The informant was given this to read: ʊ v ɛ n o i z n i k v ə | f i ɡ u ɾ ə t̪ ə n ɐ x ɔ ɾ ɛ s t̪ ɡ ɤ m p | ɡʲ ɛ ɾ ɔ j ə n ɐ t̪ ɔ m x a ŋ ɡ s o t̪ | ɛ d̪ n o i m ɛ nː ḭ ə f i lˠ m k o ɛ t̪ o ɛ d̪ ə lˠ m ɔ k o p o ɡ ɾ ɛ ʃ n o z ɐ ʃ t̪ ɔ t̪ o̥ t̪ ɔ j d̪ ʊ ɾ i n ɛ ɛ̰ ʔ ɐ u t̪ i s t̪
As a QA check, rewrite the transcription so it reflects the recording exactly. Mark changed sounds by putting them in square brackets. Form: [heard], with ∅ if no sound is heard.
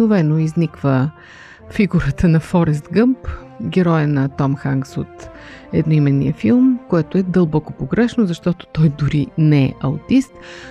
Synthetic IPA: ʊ v ɛ n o i z n i k v ə | f i ɡ u ɾ ə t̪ ə n ɐ [f] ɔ ɾ ɛ s t̪ ɡ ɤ m p | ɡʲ ɛ ɾ ɔ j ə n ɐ t̪ ɔ m x a ŋ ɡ s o t̪ | ɛ d̪ n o i m ɛ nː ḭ ə f i lˠ m k o ɛ t̪ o ɛ d̪ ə lˠ [b] ɔ k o p o ɡ ɾ ɛ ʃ n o z ɐ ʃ t̪ ɔ t̪ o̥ t̪ ɔ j d̪ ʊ ɾ i n ɛ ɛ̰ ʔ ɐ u t̪ i s t̪